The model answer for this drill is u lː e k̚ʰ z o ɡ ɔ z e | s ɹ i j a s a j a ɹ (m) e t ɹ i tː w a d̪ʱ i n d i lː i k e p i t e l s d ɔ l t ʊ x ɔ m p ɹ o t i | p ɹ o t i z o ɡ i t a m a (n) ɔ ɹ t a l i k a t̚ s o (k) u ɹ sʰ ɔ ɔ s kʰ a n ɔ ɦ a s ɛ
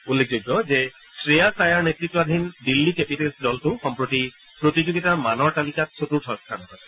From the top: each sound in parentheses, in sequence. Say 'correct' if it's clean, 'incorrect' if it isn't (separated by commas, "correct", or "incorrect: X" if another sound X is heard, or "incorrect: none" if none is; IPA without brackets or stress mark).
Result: incorrect: n, correct, incorrect: t